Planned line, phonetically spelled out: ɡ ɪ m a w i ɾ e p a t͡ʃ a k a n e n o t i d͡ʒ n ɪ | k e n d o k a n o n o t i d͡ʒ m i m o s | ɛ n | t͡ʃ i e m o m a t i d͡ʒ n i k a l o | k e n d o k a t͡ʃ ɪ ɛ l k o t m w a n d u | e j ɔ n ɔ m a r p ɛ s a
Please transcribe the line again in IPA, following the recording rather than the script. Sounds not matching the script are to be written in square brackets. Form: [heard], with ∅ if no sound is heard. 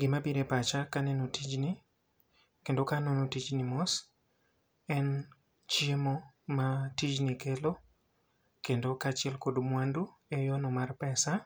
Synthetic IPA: ɡ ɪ m a [b] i ɾ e p a t͡ʃ a k a n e n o t i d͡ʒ n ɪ | k e n d o k a n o n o t i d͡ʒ [n] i m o s | ɛ n | t͡ʃ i e m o m a t i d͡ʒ n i k [e] l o | k e n d o k a t͡ʃ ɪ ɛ l k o [d] m w a n d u | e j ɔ n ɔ m a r p ɛ s a